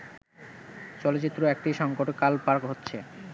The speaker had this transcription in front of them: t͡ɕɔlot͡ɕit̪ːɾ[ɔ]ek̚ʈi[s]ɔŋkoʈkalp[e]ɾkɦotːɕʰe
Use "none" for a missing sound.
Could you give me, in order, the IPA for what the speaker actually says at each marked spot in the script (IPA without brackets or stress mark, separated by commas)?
o, ʃ, a